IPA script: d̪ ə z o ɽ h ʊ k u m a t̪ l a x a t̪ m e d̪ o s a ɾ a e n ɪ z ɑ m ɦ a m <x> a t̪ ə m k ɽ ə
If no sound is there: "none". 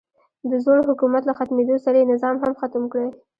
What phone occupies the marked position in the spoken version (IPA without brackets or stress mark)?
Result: x